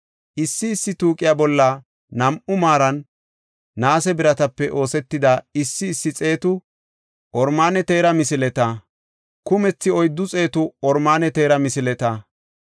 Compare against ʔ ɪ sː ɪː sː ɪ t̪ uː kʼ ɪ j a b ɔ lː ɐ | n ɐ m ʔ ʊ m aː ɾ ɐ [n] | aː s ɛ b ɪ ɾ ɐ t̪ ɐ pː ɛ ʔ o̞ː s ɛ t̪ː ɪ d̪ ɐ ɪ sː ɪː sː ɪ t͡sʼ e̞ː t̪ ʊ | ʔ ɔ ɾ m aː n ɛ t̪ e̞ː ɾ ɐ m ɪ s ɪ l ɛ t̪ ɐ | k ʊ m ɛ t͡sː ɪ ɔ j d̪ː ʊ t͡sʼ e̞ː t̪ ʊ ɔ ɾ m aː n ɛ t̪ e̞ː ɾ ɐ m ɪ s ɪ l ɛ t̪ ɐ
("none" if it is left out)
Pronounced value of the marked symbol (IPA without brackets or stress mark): nː